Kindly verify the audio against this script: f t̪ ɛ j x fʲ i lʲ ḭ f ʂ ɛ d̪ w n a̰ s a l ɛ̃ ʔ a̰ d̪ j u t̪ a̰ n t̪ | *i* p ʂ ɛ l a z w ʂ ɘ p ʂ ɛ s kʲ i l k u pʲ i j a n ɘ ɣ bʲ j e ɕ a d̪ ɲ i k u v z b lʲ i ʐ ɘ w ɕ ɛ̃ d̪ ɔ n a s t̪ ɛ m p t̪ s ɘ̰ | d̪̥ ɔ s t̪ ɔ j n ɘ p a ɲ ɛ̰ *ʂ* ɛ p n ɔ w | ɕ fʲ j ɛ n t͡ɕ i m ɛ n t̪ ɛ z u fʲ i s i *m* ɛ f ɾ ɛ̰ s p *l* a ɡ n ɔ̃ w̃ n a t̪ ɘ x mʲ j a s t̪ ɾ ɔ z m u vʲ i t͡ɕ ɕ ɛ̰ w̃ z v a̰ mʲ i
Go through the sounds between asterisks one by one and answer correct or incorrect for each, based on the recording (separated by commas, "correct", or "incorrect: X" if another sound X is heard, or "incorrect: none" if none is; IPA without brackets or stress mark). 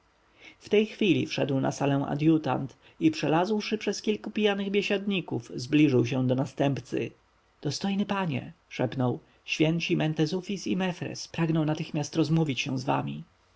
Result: correct, correct, correct, incorrect: ɾ